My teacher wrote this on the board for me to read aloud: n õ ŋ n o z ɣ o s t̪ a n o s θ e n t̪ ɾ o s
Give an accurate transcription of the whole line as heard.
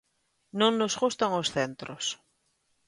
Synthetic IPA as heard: n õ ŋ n o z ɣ u s t̪ a ŋ o s θ e n t̪ ɾ o s